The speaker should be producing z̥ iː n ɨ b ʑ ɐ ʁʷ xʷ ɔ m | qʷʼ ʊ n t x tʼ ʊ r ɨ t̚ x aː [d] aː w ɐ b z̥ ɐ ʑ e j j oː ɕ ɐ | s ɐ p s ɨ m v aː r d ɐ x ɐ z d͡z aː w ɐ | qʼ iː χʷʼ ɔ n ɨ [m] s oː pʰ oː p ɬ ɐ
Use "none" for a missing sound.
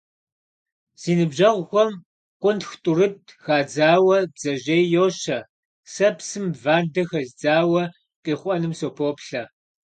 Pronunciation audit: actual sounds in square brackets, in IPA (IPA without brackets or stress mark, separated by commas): d͡z, m